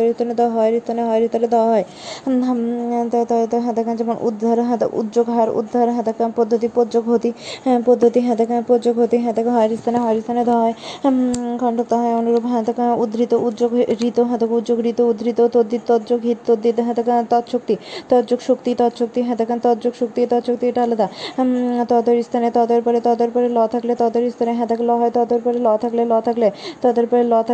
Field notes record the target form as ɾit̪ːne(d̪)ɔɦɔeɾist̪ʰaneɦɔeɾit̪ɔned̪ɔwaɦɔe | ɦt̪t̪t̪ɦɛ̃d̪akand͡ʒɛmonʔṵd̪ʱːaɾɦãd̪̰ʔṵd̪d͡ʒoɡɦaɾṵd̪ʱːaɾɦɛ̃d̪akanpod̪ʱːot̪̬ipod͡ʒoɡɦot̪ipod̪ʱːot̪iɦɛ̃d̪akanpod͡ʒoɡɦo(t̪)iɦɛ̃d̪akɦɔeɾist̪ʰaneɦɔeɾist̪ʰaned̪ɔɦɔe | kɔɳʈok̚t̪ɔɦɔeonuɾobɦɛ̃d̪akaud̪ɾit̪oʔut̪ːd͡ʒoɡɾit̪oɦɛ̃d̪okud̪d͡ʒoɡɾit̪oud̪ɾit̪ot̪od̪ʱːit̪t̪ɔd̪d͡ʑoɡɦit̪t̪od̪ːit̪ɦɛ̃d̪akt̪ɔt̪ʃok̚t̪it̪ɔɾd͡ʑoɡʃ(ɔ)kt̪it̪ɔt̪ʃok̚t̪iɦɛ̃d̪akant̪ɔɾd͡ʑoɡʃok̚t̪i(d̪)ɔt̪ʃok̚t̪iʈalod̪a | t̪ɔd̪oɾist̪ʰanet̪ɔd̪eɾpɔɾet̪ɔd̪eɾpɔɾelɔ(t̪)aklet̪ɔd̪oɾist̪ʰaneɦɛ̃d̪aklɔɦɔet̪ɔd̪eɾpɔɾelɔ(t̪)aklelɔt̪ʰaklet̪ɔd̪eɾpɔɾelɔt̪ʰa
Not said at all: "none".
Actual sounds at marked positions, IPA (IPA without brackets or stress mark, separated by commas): d̪, t̪, o, t̪, t̪ʰ, t̪ʰ